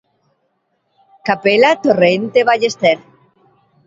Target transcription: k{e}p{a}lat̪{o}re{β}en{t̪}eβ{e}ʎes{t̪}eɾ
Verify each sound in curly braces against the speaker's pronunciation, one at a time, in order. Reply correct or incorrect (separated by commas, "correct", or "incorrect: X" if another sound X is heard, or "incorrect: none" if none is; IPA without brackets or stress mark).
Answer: incorrect: a, incorrect: e, correct, incorrect: none, correct, incorrect: a, correct